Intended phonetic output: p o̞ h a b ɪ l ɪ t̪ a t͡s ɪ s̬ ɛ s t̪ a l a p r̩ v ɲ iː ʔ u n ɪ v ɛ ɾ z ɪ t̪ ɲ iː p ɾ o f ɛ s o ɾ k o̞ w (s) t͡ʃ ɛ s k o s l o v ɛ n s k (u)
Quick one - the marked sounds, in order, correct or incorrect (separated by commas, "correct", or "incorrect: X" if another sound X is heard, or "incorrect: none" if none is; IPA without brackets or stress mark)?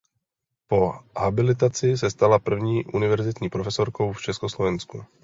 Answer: incorrect: f, correct